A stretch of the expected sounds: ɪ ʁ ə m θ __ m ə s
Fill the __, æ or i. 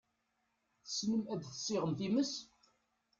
i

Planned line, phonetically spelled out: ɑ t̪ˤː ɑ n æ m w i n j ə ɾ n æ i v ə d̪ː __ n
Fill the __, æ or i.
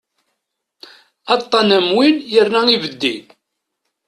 i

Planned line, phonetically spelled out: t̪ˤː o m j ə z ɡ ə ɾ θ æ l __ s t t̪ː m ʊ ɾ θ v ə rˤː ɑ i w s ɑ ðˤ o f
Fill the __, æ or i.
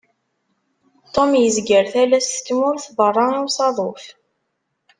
æ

